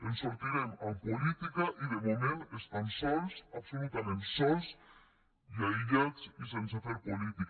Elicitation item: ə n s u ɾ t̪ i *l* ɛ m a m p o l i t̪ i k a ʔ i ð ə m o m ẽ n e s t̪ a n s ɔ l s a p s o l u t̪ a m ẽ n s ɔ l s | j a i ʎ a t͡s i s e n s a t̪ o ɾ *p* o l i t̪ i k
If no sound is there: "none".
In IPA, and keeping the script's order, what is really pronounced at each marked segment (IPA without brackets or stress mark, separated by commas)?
ɾ, p